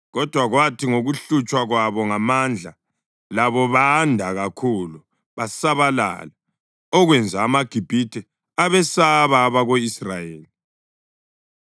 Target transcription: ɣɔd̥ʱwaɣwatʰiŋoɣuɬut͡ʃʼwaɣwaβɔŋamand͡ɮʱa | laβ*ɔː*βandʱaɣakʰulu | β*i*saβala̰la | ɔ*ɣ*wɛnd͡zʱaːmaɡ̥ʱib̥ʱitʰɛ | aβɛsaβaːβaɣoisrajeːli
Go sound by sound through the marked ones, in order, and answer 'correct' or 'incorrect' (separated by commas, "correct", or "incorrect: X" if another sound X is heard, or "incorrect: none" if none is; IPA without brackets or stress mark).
incorrect: ɔ, incorrect: a, correct